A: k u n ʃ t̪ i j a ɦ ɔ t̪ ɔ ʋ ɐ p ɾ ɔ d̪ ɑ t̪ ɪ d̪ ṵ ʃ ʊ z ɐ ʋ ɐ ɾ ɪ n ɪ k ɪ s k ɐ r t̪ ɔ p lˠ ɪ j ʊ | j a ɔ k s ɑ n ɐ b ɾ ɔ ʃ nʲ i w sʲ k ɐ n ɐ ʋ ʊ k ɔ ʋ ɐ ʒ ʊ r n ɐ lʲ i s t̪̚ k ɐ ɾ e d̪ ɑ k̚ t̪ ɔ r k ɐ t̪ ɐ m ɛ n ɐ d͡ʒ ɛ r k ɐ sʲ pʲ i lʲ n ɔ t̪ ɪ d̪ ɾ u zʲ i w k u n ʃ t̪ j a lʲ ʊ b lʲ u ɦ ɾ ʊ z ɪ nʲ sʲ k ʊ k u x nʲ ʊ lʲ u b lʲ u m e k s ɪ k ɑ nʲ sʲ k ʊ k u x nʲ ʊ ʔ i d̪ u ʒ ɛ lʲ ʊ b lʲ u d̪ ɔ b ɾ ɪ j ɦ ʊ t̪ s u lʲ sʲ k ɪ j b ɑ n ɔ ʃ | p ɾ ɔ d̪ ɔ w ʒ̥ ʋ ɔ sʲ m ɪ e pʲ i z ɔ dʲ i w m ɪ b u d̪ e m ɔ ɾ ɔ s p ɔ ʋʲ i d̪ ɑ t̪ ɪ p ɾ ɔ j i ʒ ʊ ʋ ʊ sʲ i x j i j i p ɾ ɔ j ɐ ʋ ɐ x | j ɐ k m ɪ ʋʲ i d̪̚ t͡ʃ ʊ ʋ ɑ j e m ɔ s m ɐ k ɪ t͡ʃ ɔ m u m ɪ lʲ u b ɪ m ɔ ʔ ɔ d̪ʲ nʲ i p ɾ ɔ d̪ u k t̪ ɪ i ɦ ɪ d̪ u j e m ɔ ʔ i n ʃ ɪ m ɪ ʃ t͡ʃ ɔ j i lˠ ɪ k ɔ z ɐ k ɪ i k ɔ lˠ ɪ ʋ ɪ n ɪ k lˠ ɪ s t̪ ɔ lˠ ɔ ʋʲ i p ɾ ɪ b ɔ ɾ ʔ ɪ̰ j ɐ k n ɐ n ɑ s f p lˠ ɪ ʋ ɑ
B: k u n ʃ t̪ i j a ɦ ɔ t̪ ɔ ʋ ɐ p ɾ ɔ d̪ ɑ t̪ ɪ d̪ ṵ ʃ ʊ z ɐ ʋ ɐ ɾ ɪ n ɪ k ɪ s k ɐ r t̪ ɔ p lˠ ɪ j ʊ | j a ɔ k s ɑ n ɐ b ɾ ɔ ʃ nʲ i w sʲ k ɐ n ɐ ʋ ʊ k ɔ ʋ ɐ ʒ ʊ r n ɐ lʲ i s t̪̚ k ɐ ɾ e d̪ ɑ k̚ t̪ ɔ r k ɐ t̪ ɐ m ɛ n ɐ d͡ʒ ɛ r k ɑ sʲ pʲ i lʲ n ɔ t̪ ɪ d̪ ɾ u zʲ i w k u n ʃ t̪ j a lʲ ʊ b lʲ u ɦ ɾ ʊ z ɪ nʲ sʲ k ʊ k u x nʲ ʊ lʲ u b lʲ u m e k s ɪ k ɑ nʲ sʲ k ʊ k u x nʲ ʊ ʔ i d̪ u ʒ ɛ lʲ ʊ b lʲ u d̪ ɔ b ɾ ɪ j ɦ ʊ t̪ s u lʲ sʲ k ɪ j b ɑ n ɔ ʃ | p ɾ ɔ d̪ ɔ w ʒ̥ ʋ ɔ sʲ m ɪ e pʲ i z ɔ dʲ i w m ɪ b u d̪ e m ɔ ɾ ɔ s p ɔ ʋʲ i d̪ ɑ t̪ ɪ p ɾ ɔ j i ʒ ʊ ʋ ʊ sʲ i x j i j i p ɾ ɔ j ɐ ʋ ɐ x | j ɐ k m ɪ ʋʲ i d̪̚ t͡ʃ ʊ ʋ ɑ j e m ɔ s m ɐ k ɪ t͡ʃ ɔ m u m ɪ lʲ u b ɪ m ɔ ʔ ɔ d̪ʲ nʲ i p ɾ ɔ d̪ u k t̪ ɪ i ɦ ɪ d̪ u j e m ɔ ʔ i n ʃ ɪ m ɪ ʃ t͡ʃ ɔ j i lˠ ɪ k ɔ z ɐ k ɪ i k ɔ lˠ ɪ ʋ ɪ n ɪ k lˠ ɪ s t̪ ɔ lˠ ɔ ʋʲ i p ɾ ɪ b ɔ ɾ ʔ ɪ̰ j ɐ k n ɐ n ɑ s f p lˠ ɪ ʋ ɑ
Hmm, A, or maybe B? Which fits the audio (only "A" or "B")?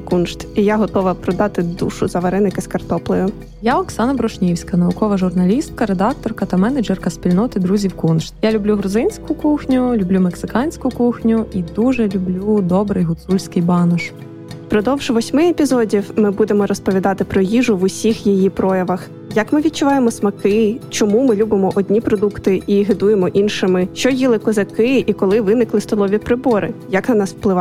A